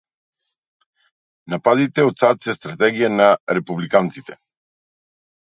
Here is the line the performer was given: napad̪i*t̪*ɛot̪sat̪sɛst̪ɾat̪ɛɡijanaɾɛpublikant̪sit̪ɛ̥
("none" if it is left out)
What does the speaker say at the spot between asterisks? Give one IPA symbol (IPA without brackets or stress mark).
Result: t̪